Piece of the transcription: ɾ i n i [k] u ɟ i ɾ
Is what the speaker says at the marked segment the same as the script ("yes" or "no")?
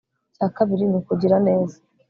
yes